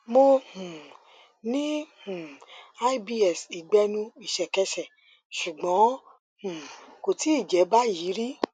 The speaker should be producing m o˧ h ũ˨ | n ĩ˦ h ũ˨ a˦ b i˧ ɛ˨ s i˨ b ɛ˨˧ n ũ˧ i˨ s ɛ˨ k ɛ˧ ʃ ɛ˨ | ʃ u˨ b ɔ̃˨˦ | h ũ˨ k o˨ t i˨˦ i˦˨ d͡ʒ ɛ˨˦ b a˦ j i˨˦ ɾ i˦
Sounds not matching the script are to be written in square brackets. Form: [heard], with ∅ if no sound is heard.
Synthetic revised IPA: m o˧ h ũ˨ | n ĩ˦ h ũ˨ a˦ b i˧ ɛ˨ s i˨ [ɡ͡b] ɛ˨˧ n ũ˧ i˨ [ʃ] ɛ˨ k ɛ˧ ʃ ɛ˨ | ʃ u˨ [ɡ͡b] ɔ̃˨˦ | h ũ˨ k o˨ t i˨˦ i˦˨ d͡ʒ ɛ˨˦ b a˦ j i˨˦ ɾ i˦

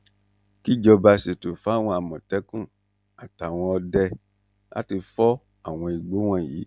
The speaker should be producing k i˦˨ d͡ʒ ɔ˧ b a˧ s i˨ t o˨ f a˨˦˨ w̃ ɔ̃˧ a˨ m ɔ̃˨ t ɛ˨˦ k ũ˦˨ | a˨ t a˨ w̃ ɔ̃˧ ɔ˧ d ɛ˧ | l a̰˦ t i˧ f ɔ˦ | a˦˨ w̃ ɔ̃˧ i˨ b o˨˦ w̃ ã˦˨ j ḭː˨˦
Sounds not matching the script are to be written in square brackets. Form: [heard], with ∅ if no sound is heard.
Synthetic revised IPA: k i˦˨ d͡ʒ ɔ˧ b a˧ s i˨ t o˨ f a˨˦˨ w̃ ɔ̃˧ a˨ m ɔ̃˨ t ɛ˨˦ k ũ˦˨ | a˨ t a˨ w̃ ɔ̃˧ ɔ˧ d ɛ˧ | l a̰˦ t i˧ f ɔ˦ | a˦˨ w̃ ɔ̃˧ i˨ [ɡ͡b] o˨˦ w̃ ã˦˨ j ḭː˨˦

